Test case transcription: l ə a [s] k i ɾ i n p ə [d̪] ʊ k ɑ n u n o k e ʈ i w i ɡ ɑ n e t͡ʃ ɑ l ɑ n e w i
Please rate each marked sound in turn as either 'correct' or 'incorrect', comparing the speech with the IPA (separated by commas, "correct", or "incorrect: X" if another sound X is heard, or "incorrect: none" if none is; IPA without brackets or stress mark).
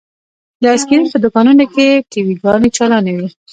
correct, correct